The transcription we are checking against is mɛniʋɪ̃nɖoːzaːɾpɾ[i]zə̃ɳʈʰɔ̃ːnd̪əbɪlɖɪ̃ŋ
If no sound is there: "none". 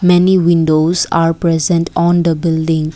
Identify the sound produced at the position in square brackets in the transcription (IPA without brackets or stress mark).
ɛ